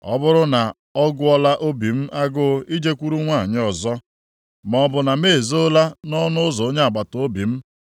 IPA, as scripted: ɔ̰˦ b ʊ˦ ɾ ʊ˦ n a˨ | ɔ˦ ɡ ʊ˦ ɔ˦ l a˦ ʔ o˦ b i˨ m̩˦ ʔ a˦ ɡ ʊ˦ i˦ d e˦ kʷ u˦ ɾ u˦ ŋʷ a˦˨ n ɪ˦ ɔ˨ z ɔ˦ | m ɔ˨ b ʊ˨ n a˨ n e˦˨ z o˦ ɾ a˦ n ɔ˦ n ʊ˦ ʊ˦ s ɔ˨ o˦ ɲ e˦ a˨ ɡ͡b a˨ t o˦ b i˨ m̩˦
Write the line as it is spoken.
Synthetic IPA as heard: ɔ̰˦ b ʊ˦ ɾ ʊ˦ n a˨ | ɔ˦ ɡ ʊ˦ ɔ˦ l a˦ ʔ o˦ b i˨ m̩˦ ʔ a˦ ɡ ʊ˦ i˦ d͡ʒ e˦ kʷ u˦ ɾ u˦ ŋʷ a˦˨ ɲ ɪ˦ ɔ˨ z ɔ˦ | m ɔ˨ b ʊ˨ n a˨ m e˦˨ z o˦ l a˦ n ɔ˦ n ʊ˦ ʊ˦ z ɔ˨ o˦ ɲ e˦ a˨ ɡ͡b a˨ t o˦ b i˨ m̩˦